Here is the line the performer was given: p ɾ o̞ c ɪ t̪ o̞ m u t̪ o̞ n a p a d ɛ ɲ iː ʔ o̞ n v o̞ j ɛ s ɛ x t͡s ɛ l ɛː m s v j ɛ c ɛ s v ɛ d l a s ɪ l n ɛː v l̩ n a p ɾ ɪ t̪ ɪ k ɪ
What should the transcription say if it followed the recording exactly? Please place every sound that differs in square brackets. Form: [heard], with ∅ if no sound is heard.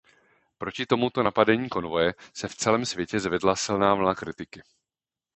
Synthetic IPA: p ɾ o̞ c ɪ t̪ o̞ m u t̪ o̞ n a p a d ɛ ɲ iː [k] o̞ n v o̞ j ɛ s ɛ [f] t͡s ɛ l ɛː m s v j ɛ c ɛ [z] v ɛ d l a s ɪ l n [aː] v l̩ n a [k] ɾ ɪ t̪ ɪ k ɪ